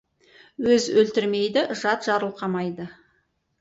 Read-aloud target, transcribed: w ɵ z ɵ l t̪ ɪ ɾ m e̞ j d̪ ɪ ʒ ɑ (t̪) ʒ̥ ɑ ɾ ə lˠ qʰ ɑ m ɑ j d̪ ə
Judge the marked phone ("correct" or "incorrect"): correct